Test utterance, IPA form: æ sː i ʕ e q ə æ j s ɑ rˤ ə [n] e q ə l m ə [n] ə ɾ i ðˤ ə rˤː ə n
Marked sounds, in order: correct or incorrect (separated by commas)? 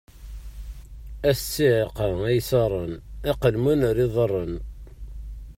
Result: correct, correct